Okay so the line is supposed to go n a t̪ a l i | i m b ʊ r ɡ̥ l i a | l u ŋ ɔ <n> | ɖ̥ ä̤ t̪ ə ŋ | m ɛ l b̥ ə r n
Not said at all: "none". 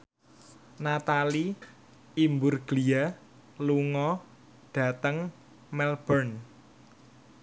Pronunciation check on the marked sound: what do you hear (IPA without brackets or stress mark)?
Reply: none